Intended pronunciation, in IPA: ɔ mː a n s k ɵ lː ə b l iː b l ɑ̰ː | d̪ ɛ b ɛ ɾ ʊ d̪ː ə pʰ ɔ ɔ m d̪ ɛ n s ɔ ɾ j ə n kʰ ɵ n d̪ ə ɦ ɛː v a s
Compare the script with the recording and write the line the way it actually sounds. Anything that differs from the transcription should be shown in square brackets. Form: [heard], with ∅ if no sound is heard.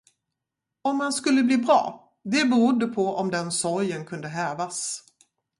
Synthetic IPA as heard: ɔ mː a n s k ɵ lː ə b l iː b [ɾ] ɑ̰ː | d̪ ɛ b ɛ ɾ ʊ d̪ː ə pʰ ɔ ɔ m d̪ ɛ n s ɔ ɾ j ə n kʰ ɵ n d̪ ə ɦ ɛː v a s